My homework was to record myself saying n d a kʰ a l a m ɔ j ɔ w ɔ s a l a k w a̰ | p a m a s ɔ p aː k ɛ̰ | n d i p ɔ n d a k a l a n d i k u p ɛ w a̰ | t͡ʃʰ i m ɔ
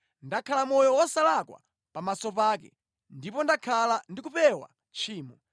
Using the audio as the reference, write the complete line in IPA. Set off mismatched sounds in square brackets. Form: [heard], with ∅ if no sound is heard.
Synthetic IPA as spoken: n d a kʰ a l a m ɔ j ɔ w ɔ s a l a k w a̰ | p a m a s ɔ p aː k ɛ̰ | n d i p ɔ n d a [kʰ] a l a n d i k u p ɛ w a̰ | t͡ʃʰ [iː] m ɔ